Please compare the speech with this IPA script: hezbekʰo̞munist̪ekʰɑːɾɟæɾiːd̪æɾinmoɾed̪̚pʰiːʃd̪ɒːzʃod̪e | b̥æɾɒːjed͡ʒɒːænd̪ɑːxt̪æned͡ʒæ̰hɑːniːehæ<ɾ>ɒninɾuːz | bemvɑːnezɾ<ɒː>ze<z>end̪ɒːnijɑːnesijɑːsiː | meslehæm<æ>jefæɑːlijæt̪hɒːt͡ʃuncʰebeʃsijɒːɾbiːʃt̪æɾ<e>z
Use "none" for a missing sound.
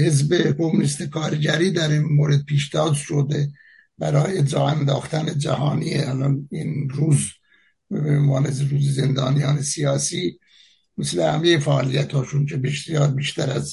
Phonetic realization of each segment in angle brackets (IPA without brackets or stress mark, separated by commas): l, uː, z, e, æ